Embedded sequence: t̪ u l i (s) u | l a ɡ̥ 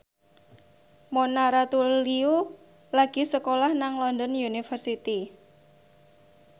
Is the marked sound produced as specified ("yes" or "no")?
no